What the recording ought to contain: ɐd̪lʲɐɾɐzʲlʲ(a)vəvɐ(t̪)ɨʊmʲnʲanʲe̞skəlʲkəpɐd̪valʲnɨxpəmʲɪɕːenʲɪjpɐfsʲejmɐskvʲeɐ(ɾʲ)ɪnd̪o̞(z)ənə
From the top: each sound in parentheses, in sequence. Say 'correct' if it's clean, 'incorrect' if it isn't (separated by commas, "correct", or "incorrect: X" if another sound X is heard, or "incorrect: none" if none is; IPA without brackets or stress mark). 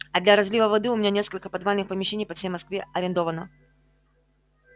incorrect: i, incorrect: d̪, correct, incorrect: v